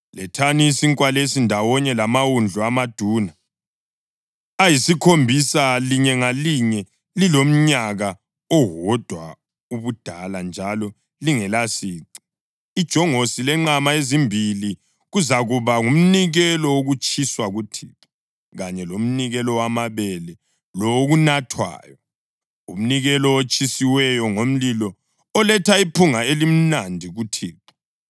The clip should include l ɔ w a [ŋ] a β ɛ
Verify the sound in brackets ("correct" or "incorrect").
incorrect